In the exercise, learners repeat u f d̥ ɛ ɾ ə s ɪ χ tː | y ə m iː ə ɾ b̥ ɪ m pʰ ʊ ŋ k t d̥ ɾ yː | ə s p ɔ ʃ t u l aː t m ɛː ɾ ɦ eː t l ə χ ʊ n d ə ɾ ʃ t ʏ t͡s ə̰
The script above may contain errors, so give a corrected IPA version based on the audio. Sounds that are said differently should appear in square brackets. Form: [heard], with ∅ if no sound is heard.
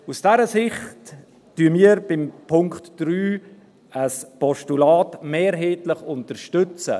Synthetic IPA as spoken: u [s] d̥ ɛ ɾ ə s ɪ χ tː | y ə m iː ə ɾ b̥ ɪ m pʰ ʊ ŋ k t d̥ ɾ yː | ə s p ɔ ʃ t u l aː t m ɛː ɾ ɦ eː t l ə χ ʊ n [t] ə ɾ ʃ t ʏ t͡s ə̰